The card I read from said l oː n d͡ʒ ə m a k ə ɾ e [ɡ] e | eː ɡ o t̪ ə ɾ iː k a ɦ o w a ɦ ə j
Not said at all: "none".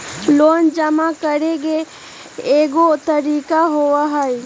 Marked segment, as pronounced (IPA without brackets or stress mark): ɡ